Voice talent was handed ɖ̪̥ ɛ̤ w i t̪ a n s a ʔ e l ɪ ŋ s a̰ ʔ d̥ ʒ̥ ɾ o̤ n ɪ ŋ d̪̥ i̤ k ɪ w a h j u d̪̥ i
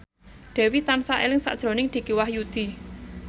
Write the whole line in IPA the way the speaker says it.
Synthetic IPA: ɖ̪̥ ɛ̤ w i t̪ a n s a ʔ e l ɪ ŋ s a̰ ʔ d̥ ʒ̥ ɾ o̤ n ɪ ŋ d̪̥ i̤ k i w a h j u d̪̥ i